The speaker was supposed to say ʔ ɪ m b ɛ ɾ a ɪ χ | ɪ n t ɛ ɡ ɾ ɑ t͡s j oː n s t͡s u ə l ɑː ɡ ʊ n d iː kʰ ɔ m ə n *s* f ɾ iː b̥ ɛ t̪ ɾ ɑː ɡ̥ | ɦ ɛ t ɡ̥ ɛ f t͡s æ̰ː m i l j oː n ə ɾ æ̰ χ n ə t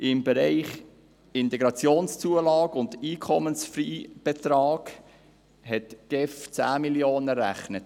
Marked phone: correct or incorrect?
correct